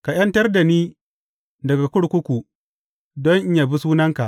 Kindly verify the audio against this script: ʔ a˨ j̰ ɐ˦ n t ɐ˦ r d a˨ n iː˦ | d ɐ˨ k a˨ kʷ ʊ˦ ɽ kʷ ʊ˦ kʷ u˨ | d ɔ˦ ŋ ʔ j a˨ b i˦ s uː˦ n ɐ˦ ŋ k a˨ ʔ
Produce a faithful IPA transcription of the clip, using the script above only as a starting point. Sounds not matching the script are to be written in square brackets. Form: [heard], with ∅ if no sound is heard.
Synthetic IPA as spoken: [k] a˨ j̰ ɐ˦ n t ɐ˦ r d a˨ n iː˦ | d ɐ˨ [ɡ] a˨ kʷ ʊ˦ ɽ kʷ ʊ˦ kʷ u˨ | d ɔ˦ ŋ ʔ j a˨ b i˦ s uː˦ n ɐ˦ ŋ k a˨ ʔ

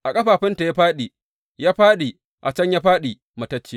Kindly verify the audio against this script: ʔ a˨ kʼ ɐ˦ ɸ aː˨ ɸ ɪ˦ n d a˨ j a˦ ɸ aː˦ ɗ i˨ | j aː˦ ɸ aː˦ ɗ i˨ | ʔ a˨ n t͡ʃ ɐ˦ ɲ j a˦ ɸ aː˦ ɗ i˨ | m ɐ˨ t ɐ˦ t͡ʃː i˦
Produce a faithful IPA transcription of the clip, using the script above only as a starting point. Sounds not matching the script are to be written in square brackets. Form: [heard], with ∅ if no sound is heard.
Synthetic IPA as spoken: ʔ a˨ kʼ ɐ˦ ɸ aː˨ ɸ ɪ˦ n [t] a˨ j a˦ ɸ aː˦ ɗ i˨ | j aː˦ ɸ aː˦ ɗ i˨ | ʔ a˨ [∅] t͡ʃ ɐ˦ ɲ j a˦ ɸ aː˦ ɗ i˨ | m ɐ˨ t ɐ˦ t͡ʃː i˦

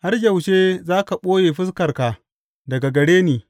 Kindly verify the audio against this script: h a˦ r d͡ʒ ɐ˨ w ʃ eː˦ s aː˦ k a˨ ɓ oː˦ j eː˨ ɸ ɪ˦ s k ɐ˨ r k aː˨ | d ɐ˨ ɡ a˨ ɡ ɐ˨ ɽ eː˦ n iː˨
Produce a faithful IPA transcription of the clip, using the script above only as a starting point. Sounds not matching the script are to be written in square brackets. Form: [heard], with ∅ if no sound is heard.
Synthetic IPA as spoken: h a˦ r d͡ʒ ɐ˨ w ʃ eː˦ [z] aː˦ k a˨ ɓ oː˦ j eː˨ ɸ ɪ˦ s k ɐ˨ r k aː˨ | d ɐ˨ ɡ a˨ ɡ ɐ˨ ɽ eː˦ n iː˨

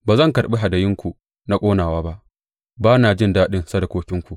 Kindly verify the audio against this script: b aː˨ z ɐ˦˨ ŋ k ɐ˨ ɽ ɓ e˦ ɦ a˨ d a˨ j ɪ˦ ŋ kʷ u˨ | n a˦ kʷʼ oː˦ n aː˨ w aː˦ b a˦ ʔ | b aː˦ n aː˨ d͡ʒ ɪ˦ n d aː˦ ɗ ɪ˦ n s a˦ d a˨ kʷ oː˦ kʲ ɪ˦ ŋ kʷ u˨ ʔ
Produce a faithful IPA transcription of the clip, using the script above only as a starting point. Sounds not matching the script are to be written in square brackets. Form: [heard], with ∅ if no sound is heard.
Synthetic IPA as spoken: b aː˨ z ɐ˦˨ ŋ k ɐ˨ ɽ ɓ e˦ ɦ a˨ d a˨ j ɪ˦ ŋ kʷ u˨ | n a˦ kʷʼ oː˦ n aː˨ w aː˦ b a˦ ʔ | b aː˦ n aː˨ d͡ʒ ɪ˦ n d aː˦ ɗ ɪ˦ n s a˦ d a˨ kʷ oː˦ kʲ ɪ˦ ŋ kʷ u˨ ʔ

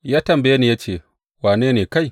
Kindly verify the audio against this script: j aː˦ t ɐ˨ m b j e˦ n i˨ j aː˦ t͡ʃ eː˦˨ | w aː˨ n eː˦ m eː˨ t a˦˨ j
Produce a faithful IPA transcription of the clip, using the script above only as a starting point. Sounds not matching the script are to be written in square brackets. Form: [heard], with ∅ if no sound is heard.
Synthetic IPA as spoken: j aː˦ t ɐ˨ m b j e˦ n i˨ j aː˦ t͡ʃ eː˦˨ | w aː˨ n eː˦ [n] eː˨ [k] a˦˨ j

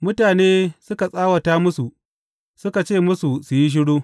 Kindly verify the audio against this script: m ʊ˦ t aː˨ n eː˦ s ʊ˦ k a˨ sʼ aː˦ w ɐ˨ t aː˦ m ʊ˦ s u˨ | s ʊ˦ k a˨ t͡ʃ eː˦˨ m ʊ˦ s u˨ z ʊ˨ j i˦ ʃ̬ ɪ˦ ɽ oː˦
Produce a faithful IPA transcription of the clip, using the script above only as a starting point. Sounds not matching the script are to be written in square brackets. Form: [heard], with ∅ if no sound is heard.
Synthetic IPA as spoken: m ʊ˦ t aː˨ n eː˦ s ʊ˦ k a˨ sʼ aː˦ w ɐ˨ t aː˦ m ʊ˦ s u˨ | s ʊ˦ k a˨ t͡ʃ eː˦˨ m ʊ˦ s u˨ [s] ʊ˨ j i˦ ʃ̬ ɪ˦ ɽ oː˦

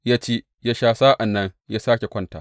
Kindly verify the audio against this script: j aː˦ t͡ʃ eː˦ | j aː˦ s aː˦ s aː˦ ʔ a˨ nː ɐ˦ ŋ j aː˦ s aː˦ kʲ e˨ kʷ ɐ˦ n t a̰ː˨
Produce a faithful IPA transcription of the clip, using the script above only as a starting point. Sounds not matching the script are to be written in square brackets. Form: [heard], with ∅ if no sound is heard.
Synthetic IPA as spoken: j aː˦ t͡ʃ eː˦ | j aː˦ [ʃ] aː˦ s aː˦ ʔ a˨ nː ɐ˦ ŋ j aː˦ s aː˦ kʲ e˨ kʷ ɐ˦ n t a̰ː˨

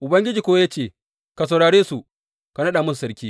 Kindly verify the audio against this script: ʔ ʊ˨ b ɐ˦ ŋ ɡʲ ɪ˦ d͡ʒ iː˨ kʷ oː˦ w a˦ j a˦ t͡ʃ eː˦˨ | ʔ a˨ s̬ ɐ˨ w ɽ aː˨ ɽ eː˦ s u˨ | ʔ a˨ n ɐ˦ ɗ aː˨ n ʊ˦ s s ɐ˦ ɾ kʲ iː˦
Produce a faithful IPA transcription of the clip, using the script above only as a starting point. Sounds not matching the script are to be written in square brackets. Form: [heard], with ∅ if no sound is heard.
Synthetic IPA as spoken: ʔ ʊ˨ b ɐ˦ ŋ ɡʲ ɪ˦ d͡ʒ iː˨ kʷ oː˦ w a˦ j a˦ t͡ʃ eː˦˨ | [k] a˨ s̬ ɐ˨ w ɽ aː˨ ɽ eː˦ s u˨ | [k] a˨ n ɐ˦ ɗ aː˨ [m] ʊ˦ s s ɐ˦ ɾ kʲ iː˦

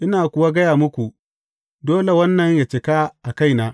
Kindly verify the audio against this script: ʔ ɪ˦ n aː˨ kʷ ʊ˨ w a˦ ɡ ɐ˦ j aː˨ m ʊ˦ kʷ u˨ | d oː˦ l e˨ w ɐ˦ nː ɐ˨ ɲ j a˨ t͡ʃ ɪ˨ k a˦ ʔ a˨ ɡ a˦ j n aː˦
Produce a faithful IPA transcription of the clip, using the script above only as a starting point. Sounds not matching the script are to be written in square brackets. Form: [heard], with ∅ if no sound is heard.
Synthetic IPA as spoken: ʔ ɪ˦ n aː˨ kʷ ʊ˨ w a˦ ɡ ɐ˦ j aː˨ m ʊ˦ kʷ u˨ | d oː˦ l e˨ w ɐ˦ nː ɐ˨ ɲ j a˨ t͡ʃ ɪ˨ k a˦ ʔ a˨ [k] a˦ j n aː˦

